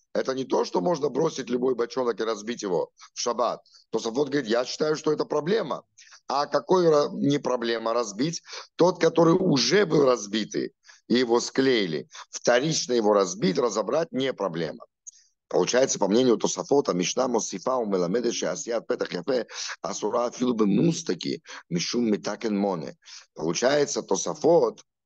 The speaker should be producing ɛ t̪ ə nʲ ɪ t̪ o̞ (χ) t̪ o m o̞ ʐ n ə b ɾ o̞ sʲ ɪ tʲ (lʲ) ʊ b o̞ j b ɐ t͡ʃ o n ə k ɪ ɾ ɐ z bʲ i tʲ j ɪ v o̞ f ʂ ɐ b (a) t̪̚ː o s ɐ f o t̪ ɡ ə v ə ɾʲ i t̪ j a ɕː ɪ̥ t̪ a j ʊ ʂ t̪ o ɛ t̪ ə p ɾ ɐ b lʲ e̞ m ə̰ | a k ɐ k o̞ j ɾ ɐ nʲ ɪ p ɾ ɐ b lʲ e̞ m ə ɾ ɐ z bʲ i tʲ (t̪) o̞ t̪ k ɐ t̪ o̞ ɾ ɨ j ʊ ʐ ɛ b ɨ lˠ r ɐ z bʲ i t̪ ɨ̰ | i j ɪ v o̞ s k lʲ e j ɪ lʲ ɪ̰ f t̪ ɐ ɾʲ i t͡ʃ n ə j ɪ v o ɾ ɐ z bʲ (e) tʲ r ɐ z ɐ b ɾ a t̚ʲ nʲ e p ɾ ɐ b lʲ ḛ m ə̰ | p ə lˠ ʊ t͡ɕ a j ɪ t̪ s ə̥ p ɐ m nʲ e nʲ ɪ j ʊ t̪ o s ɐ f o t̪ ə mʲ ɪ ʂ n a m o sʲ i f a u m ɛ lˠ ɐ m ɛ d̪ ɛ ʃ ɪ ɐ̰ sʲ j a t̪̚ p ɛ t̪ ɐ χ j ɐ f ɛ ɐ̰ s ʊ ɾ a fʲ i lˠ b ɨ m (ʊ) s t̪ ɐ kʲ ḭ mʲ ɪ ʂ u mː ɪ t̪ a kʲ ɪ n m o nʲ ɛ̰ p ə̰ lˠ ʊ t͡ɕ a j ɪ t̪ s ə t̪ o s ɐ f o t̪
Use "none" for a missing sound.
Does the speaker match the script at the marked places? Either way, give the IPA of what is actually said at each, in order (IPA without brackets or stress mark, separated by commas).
ʂ, lʲ, a, t̪, i, u